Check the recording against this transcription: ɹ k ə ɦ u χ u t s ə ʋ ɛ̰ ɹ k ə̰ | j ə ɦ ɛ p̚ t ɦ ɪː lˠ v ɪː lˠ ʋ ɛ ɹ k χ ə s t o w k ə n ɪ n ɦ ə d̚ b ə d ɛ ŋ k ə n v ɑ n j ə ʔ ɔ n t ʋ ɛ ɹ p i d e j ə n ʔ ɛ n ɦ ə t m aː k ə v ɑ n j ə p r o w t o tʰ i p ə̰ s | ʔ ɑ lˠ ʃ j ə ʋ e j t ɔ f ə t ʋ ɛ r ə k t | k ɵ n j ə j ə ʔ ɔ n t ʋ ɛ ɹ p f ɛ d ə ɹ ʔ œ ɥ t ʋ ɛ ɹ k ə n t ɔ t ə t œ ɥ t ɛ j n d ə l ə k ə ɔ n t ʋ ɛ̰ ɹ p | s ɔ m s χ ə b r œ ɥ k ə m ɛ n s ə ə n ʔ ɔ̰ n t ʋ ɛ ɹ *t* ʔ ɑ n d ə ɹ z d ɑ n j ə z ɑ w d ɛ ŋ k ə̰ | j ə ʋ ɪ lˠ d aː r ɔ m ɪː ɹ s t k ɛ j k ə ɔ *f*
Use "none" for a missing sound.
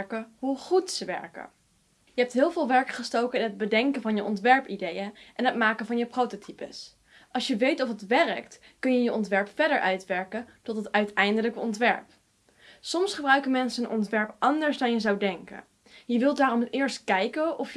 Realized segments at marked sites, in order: p, f

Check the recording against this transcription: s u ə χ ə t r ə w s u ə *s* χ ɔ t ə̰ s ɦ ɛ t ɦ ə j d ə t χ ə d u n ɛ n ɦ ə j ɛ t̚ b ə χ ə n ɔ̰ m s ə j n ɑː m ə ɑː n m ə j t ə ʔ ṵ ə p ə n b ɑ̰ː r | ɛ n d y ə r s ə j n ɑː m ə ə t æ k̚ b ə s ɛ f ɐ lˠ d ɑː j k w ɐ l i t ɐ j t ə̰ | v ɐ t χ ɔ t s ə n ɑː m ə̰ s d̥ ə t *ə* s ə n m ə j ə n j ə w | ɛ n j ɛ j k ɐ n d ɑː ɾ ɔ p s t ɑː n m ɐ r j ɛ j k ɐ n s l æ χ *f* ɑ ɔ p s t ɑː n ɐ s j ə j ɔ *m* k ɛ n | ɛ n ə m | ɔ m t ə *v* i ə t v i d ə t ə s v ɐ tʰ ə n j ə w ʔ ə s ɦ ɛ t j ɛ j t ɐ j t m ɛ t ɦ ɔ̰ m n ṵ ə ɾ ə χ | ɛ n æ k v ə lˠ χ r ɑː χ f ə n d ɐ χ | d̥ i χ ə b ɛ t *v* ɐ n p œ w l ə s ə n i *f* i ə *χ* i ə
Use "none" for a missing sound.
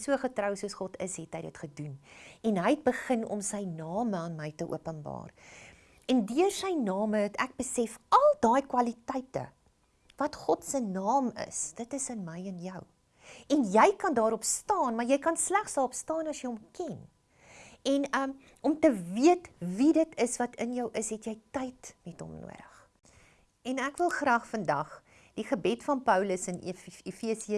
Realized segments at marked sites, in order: s, ə, s, m, v, f, f, s

